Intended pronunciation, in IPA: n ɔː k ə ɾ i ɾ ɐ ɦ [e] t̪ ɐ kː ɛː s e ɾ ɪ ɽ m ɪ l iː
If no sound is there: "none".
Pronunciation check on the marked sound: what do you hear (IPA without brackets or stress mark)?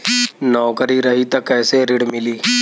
i